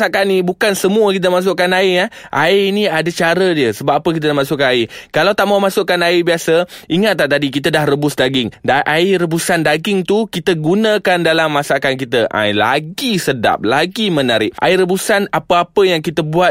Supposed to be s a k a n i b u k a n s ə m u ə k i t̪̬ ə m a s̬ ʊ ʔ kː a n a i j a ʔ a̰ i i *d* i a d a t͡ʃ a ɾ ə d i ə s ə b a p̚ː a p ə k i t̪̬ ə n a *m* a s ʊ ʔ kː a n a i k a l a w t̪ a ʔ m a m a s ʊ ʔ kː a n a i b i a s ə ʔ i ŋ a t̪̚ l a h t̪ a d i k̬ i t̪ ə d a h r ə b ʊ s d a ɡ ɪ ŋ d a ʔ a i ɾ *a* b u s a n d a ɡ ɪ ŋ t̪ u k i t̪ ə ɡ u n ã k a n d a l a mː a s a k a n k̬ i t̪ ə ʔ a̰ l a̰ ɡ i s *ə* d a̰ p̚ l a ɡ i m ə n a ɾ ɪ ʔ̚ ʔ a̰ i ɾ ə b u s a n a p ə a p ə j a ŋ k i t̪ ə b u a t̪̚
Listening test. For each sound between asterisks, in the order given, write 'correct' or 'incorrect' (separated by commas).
incorrect, correct, incorrect, correct